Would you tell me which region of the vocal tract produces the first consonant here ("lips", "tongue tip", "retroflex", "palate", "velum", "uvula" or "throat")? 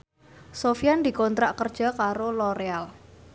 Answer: tongue tip